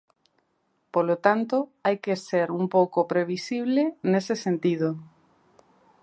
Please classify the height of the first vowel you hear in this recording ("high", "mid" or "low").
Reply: mid